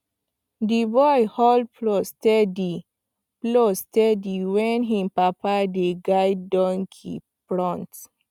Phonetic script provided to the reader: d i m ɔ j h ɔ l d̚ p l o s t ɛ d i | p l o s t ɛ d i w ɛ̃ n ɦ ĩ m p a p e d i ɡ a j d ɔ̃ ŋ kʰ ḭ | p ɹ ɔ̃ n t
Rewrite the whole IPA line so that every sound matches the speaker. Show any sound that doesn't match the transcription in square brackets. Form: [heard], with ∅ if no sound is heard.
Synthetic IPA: d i [b] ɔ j h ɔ l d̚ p l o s t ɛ d i | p l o s t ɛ d i w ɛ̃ n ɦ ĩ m p a p [a] d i ɡ a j d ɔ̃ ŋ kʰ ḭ | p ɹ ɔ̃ n t